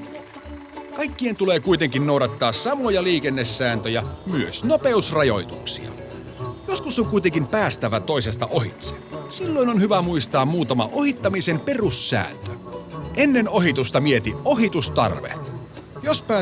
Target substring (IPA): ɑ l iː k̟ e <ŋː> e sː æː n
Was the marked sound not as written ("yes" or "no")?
yes